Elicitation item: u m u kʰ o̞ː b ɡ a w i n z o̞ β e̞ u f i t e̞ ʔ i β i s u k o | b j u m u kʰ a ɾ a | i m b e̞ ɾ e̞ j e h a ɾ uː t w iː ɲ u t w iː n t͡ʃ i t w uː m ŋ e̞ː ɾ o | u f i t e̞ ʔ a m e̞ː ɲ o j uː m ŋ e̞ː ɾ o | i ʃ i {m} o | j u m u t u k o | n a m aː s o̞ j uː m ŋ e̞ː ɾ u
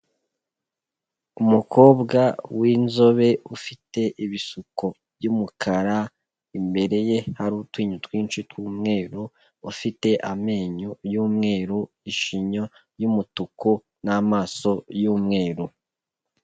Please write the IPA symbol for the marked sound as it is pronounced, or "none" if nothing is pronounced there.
ɲ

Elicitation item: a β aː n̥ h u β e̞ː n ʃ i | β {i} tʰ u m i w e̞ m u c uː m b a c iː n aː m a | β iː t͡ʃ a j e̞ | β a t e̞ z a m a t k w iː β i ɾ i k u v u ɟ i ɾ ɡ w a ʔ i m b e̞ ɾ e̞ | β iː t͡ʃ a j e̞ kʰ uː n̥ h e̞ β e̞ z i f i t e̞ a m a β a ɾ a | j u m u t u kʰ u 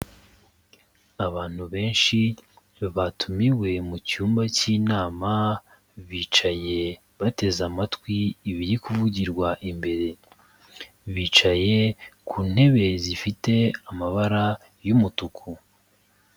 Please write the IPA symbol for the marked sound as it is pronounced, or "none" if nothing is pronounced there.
a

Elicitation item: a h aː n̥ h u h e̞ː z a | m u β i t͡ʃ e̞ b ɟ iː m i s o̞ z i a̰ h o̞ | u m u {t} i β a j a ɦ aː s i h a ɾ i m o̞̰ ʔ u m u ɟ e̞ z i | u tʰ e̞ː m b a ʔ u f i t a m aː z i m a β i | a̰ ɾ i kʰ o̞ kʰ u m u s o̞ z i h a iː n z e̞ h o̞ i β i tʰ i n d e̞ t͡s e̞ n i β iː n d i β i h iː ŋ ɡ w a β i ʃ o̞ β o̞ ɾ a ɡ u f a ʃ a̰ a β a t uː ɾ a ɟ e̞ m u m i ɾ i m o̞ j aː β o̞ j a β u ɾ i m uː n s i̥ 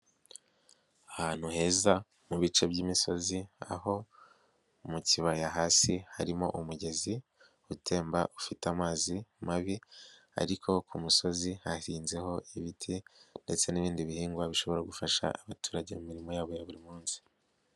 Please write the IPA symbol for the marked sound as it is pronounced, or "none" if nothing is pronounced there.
c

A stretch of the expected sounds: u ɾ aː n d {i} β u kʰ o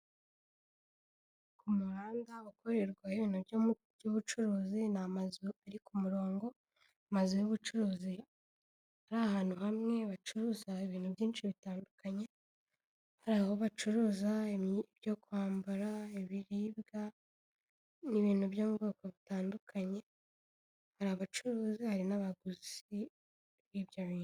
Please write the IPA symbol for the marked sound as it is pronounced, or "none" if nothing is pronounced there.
a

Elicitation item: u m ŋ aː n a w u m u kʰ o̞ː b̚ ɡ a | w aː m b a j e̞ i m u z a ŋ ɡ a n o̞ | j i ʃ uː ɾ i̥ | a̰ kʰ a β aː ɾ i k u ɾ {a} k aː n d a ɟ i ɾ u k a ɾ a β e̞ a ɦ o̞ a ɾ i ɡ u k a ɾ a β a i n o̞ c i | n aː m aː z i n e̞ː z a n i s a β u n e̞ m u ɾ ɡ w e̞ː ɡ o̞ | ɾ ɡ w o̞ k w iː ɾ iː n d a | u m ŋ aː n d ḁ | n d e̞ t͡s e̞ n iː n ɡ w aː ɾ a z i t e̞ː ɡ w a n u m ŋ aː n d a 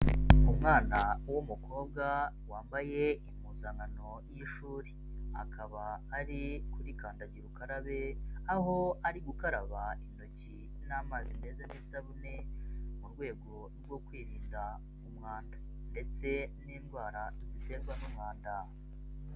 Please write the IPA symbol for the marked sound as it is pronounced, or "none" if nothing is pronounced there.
i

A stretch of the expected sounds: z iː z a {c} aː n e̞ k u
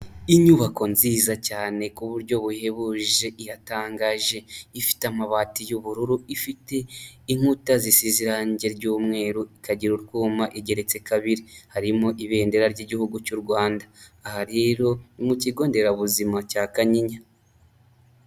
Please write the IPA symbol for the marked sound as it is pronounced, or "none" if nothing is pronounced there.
c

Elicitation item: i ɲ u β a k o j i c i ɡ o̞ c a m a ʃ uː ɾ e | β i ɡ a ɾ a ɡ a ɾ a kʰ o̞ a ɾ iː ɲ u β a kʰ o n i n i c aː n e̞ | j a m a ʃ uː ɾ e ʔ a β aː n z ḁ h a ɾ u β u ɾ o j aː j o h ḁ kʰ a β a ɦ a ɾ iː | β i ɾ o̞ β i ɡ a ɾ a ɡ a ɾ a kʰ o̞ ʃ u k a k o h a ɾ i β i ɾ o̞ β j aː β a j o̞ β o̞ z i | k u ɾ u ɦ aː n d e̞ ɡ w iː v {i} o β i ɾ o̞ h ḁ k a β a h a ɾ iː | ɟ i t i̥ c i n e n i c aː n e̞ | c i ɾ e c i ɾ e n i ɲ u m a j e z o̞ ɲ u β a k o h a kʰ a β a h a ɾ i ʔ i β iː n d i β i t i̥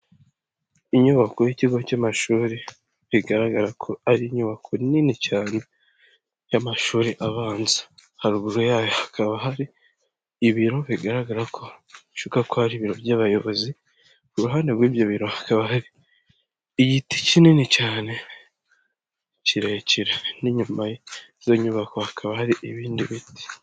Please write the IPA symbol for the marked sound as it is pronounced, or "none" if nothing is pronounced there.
j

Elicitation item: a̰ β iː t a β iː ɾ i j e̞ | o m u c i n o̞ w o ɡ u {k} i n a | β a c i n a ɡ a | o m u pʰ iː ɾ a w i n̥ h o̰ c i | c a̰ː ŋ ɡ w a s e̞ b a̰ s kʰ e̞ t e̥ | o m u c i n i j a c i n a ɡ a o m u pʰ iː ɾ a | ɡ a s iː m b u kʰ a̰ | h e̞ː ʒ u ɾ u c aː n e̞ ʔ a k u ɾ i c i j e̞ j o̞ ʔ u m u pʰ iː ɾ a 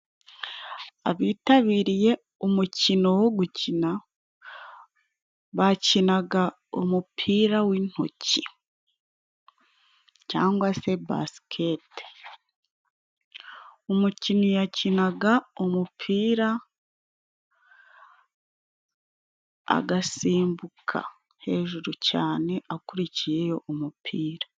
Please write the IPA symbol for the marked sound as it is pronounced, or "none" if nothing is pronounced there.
c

